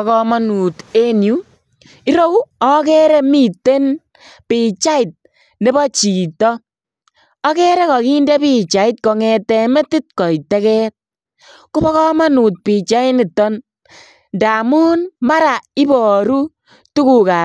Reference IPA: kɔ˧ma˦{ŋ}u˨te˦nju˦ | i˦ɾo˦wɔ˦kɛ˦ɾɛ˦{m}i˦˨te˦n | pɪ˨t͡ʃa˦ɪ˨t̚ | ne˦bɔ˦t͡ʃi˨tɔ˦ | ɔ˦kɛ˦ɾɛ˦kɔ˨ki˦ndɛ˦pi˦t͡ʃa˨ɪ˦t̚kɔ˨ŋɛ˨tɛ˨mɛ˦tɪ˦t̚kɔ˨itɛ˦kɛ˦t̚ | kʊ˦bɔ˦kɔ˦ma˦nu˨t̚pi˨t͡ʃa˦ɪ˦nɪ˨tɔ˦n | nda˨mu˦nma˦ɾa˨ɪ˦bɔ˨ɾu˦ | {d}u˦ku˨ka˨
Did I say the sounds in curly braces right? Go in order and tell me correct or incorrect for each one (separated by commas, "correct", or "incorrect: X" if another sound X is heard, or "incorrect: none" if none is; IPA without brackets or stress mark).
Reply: incorrect: n, correct, incorrect: t